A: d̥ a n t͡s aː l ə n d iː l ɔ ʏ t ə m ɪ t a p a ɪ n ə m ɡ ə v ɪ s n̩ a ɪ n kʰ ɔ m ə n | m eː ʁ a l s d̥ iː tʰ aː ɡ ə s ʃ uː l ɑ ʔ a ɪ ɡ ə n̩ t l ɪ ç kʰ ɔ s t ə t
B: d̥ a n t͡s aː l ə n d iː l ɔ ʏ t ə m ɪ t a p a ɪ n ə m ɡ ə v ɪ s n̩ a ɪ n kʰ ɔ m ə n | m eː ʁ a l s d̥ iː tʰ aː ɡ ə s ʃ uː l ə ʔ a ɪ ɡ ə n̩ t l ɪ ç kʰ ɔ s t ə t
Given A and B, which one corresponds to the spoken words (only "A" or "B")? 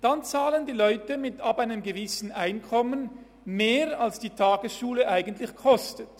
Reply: B